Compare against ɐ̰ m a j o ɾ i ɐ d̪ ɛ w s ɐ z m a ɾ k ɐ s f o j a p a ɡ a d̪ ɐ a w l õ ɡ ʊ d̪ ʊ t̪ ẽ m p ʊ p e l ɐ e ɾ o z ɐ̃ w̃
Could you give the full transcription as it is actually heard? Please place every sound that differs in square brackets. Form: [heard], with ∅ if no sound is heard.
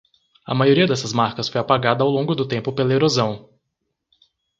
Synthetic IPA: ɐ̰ m a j o ɾ i ɐ d̪ ɛ [∅] s ɐ z m a ɾ k ɐ s f o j a p a ɡ a d̪ ɐ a w l õ ɡ ʊ d̪ ʊ t̪ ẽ m p ʊ p e l ɐ e ɾ o z ɐ̃ w̃

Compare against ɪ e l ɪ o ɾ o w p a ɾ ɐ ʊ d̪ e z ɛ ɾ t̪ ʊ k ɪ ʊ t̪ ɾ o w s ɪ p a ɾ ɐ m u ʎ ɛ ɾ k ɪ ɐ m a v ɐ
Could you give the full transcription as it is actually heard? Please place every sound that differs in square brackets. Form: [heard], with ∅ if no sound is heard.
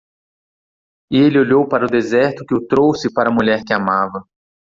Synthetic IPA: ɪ e l ɪ o [ʎ] o w p a ɾ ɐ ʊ d̪ e z ɛ ɾ t̪ ʊ k ɪ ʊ t̪ ɾ o w s ɪ p a ɾ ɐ m u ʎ ɛ ɾ k ɪ [a] m a v ɐ

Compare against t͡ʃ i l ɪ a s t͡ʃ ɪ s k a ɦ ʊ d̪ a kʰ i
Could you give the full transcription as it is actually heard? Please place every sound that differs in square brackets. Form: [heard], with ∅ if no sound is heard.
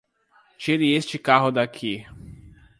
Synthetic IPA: t͡ʃ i [ɾ] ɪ [e] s t͡ʃ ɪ [∅] k a ɦ ʊ d̪ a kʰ i

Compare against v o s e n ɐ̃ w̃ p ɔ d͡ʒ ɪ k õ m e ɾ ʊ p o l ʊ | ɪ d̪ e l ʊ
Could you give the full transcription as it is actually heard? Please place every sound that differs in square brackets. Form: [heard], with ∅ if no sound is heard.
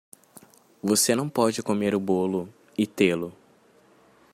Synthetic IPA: v o s e n ɐ̃ w̃ p ɔ d͡ʒ ɪ k [o] m e ɾ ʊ [b] o l ʊ | ɪ [t̪] e l ʊ

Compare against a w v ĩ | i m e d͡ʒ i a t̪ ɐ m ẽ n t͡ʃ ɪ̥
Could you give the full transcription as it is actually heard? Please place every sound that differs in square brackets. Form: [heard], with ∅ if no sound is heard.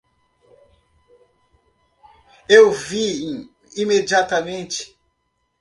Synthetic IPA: [e] w v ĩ | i m e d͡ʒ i a t̪ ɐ m ẽ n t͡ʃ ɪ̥

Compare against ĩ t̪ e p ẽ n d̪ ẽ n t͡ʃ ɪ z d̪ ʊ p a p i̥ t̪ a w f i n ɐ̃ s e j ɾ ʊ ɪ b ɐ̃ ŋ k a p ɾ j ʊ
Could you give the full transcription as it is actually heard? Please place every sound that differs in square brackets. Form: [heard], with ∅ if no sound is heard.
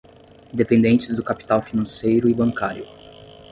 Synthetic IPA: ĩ [d̪] e p ẽ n d̪ ẽ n t͡ʃ ɪ z d̪ ʊ [k] a p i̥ t̪ a w f i n ɐ̃ s e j ɾ ʊ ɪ b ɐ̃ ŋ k a [∅] ɾ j ʊ

